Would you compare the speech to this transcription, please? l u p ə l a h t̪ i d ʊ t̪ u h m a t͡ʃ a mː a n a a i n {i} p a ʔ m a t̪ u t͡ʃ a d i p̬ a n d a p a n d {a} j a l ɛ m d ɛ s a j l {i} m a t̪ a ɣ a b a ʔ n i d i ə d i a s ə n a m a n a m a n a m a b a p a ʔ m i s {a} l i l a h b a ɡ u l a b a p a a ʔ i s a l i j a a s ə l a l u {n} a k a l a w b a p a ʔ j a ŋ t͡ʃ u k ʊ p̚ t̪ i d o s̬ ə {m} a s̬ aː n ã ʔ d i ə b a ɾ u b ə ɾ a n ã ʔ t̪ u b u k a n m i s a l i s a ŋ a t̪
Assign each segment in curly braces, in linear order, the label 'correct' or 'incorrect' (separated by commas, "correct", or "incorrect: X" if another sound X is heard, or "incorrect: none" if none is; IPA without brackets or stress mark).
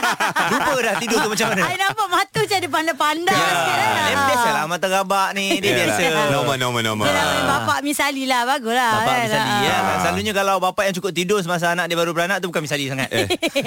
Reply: incorrect: a, correct, incorrect: a, correct, incorrect: ɲ, correct